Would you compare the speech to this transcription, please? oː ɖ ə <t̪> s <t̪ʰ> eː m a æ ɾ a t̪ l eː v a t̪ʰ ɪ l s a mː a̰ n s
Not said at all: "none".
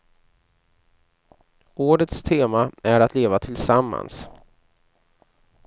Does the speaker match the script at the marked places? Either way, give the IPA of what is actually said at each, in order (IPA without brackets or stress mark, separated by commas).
t̪, t̪ʰ